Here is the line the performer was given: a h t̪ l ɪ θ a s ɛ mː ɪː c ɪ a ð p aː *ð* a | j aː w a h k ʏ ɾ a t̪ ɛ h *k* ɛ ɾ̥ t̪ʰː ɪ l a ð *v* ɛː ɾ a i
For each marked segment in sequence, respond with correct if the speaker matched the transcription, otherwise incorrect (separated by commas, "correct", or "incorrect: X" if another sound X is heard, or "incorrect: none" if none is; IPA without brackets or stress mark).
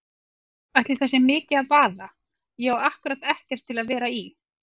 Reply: correct, incorrect: c, correct